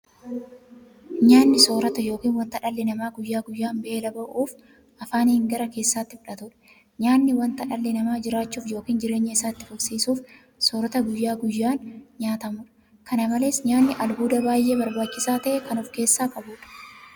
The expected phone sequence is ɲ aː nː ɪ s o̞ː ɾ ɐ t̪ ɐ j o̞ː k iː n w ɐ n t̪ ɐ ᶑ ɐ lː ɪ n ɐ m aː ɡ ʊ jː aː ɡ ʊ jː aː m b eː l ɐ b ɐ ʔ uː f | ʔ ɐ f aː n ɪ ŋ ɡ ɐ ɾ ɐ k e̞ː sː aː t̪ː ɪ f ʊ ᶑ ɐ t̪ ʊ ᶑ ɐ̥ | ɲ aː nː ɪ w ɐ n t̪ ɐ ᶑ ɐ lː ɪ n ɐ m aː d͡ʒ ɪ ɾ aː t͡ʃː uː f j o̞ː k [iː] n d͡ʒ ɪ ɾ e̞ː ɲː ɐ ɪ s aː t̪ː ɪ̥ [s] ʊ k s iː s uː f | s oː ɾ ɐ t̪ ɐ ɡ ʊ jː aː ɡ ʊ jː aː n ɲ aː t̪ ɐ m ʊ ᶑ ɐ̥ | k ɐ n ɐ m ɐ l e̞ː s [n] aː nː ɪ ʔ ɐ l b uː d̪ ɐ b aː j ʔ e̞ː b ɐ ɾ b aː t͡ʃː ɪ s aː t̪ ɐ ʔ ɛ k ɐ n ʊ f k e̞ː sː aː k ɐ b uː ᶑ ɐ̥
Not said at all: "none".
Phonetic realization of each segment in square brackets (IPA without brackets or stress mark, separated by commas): iː, f, ɲ